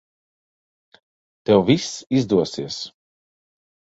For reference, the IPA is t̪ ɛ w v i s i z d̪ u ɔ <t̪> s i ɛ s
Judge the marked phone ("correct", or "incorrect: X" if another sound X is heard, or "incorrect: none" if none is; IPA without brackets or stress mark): incorrect: none